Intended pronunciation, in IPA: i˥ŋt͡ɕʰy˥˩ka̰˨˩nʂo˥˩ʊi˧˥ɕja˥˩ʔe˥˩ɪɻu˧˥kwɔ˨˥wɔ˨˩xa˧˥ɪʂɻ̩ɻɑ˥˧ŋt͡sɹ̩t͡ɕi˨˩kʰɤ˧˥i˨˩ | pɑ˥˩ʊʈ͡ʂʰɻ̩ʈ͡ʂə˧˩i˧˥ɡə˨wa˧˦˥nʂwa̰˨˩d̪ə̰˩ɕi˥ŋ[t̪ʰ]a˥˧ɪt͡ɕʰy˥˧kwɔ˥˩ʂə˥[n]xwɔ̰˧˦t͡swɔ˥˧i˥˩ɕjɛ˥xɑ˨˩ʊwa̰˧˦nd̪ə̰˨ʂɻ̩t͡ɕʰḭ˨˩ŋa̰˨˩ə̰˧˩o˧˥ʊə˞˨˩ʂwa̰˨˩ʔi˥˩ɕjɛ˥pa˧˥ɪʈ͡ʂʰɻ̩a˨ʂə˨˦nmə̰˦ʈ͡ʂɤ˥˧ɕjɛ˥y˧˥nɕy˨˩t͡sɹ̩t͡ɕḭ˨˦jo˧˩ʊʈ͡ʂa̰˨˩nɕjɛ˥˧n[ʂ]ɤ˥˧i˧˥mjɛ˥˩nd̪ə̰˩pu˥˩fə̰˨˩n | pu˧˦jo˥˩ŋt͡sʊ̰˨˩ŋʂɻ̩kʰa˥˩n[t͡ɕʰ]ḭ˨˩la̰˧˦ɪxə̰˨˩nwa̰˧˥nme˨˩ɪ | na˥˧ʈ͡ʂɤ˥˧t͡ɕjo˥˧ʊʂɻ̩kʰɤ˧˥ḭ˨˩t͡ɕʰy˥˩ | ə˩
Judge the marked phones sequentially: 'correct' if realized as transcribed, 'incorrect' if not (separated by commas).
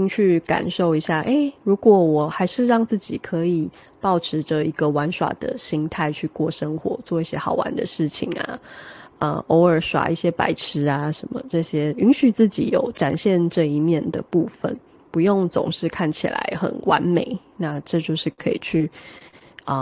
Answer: correct, incorrect, incorrect, correct